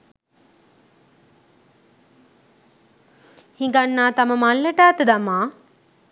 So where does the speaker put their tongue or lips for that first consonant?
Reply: throat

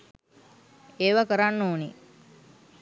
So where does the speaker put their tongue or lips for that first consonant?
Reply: lips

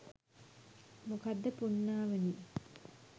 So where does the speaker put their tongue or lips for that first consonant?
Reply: lips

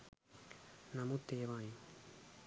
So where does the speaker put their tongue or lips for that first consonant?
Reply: tongue tip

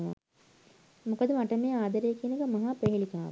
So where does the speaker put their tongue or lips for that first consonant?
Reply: lips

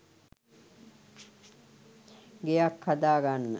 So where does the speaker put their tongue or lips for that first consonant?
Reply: velum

